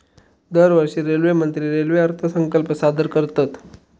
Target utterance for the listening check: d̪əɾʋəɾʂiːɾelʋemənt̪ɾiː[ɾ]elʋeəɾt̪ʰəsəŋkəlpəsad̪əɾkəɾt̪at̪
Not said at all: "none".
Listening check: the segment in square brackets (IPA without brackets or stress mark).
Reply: ɾ